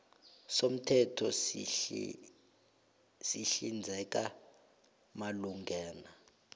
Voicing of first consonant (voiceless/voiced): voiceless